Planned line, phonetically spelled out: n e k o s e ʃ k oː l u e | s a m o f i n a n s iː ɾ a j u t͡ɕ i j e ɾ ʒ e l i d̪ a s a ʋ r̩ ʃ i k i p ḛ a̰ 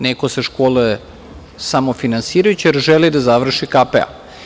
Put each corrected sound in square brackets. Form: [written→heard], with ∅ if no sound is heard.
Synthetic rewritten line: n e k o s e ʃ k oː l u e | s a m o f i n a n s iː ɾ a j u t͡ɕ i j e ɾ ʒ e l i d̪ a [s→z] a ʋ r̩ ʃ i k [i→a] p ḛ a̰